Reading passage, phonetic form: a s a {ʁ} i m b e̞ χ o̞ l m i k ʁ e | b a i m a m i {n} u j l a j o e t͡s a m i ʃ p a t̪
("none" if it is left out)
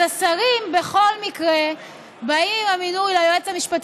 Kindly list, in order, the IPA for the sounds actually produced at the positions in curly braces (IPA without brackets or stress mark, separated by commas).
ʁ, n